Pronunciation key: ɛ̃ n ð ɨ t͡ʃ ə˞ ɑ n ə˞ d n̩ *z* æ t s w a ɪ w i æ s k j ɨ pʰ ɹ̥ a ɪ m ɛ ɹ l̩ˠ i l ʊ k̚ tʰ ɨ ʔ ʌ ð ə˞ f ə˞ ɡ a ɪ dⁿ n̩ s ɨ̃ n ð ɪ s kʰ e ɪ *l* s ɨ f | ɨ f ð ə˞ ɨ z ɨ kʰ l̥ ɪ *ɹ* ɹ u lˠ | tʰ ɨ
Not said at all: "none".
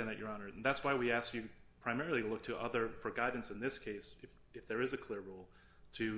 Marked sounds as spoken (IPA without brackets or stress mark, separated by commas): ð, none, ɹ